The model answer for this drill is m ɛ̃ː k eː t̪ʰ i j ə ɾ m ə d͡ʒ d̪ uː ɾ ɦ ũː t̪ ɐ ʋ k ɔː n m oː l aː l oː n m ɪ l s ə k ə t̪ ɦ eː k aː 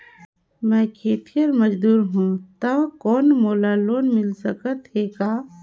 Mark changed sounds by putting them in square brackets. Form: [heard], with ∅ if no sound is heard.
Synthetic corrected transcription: m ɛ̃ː [kʰ] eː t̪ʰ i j ə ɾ m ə d͡ʒ d̪ uː ɾ ɦ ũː t̪ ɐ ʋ k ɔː n m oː l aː l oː n m ɪ l s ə k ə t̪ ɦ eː k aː